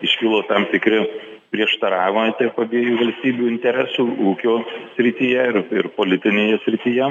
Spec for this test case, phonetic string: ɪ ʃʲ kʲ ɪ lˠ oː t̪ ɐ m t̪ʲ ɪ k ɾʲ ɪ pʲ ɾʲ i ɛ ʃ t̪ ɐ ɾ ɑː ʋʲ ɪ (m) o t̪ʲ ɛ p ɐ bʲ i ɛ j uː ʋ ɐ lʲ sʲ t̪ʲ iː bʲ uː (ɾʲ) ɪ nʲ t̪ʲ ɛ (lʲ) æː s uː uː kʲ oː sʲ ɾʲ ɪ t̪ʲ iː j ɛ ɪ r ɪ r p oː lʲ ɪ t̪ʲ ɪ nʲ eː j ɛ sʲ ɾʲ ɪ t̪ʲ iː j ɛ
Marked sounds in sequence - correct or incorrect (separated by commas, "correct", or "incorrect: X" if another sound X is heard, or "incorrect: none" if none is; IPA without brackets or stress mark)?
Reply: correct, incorrect: none, incorrect: ɾʲ